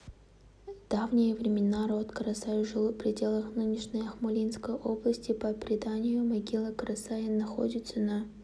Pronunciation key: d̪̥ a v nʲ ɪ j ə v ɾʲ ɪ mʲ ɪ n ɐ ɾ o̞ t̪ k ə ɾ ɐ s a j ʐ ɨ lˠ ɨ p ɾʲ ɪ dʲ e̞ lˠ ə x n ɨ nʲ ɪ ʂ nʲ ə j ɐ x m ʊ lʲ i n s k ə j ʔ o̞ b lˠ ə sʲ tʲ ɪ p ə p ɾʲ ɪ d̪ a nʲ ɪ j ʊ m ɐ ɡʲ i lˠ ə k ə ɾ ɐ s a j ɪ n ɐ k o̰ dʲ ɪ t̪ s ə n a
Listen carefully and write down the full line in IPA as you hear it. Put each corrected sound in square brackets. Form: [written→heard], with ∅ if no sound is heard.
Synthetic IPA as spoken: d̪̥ a v nʲ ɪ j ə v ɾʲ ɪ mʲ ɪ n [ɐ→a] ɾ o̞ t̪ k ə ɾ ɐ s a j ʐ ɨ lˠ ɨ p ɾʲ ɪ dʲ e̞ lˠ ə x n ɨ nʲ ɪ ʂ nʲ ə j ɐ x m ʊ lʲ i n s k ə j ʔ o̞ b lˠ ə sʲ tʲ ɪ p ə p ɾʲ ɪ d̪ a nʲ ɪ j ʊ m ɐ ɡʲ i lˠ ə k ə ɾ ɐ s a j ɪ n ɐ [k→x] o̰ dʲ ɪ t̪ s ə n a